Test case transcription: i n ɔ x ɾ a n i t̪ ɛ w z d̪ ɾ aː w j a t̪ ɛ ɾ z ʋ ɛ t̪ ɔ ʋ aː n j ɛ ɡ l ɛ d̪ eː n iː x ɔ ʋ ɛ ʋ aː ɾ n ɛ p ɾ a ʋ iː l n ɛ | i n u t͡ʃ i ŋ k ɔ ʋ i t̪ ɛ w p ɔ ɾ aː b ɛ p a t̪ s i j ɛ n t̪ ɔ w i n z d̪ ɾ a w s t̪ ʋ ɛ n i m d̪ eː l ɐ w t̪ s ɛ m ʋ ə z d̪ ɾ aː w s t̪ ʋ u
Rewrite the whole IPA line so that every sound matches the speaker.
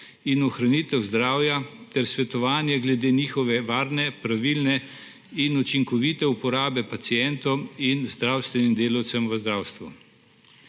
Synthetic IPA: i n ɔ x ɾ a n i t̪ ɛ w z d̪ ɾ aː w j a t̪ ɛ ɾ s ʋ ɛ t̪ ɔ ʋ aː n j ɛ ɡ l ɛ d̪ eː n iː x ɔ ʋ ɛ ʋ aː ɾ n ɛ p ɾ a ʋ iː l n ɛ | i n u t͡ʃ i ŋ k ɔ ʋ i t̪ ɛ u p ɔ ɾ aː b ɛ p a t̪ s i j ɛ n t̪ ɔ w i n z d̪ ɾ a w s t̪ ʋ ɛ n i m d̪ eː l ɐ w t̪ s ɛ m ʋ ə z d̪ ɾ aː w s t̪ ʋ u